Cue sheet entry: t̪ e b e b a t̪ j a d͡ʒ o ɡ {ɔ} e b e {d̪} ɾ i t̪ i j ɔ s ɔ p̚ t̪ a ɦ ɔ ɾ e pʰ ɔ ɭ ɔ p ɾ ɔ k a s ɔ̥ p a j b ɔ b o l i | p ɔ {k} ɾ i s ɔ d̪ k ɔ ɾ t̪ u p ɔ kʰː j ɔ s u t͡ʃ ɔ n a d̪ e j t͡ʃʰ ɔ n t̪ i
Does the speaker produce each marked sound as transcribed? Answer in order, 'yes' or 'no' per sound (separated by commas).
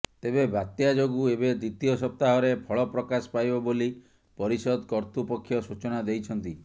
no, yes, no